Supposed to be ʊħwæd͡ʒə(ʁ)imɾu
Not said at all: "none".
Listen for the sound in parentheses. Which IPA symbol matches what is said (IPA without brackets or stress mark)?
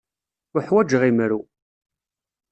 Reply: ʁ